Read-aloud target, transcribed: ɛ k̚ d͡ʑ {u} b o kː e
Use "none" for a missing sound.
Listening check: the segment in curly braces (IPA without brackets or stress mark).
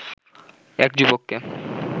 u